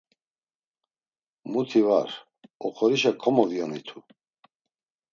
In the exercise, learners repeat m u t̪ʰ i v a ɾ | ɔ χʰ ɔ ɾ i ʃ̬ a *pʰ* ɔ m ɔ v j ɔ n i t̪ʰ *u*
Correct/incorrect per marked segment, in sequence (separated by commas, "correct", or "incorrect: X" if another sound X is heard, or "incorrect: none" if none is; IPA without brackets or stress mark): incorrect: kʰ, correct